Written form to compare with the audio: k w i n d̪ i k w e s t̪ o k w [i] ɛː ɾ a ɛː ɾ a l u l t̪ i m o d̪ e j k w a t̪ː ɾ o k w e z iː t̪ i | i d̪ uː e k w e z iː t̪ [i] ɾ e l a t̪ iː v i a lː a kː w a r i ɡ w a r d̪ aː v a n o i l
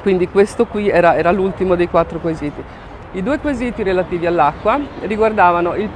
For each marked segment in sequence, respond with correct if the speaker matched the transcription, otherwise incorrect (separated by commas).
correct, correct